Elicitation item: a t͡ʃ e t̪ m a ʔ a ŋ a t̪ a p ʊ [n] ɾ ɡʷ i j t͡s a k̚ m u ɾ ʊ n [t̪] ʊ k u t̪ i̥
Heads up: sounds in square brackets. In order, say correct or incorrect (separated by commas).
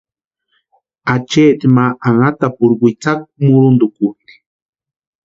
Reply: incorrect, incorrect